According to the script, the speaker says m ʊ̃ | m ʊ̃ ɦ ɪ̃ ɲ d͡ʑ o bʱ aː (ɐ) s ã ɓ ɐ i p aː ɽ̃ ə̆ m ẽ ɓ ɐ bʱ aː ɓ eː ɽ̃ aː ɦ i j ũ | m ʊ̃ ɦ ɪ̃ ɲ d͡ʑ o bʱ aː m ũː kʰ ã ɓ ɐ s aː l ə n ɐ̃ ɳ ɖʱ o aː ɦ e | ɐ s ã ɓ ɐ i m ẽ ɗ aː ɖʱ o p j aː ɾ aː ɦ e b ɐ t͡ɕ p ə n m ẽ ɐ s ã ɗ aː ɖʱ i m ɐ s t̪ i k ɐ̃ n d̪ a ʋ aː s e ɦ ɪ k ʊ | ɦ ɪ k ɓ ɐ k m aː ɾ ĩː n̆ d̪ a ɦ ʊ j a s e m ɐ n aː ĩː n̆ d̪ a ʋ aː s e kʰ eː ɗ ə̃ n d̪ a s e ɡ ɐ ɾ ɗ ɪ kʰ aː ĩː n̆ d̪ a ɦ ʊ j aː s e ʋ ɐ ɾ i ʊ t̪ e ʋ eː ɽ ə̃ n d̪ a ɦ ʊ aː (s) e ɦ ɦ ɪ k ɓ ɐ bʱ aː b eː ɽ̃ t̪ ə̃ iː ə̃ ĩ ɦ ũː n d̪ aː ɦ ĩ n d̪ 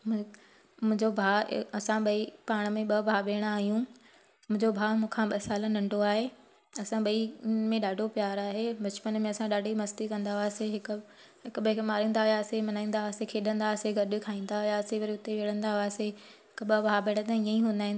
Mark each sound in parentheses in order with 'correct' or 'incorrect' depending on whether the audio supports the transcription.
correct, correct

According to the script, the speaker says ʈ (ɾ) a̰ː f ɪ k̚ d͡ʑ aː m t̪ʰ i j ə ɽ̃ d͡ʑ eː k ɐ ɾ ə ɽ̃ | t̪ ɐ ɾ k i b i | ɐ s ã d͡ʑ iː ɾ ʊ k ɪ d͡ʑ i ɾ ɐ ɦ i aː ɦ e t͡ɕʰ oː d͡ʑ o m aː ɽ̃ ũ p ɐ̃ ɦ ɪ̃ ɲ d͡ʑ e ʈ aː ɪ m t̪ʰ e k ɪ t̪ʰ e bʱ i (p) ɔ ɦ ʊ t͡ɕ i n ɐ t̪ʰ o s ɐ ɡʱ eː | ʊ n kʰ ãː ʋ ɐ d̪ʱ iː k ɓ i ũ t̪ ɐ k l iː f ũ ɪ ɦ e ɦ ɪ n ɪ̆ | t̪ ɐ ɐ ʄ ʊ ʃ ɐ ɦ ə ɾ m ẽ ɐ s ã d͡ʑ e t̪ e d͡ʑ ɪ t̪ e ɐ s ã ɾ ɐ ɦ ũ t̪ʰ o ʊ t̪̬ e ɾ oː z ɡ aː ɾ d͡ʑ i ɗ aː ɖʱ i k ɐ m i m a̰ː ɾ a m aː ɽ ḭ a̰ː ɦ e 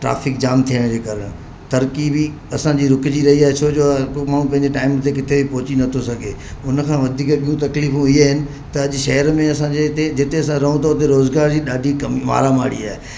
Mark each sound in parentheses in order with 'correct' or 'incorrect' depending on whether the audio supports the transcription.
correct, correct

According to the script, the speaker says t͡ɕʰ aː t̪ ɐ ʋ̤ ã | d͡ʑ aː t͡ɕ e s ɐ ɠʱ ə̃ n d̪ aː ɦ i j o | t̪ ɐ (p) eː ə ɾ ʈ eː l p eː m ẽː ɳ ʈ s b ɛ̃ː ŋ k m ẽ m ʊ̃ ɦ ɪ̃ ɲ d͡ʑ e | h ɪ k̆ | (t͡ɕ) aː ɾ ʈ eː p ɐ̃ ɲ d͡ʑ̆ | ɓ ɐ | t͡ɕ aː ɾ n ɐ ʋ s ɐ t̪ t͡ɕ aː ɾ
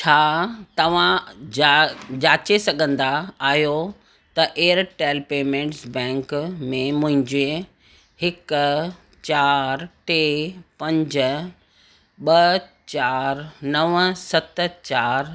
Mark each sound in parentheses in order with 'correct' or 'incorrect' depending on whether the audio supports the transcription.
incorrect: ʔ, correct

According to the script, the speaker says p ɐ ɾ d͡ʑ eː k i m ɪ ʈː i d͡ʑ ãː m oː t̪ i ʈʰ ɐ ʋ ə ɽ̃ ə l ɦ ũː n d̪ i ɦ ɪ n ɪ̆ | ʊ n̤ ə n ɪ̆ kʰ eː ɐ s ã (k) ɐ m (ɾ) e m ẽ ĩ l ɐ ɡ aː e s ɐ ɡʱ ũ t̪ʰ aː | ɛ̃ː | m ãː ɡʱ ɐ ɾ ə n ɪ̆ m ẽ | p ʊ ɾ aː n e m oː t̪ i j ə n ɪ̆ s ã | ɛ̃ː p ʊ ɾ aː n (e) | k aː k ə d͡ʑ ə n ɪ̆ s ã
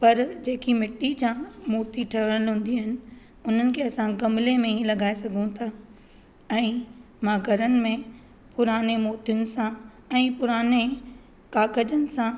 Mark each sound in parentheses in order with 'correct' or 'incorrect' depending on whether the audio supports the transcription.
incorrect: ɡ, incorrect: l, correct

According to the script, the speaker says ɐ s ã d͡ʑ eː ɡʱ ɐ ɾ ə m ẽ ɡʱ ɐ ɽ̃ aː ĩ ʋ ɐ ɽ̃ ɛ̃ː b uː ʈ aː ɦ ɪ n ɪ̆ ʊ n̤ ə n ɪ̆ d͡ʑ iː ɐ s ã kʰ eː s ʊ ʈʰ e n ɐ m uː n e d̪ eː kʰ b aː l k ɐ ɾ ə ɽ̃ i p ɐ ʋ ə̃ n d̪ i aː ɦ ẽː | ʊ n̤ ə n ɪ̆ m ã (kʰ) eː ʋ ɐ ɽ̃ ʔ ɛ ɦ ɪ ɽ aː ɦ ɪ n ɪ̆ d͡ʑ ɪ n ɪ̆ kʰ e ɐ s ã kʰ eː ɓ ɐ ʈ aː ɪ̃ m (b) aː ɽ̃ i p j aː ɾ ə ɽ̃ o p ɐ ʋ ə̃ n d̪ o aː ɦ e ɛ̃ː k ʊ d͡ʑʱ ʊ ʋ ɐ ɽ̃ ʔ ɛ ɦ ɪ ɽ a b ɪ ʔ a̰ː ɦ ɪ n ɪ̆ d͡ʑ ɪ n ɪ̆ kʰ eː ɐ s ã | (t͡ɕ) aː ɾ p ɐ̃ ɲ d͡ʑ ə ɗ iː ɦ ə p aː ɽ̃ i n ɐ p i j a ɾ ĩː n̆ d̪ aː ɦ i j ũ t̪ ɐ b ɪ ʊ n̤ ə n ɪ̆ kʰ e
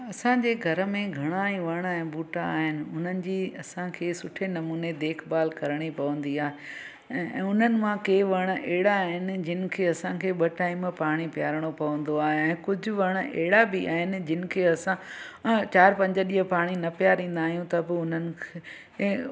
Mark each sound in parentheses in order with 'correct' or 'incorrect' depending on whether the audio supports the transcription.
incorrect: k, incorrect: p, correct

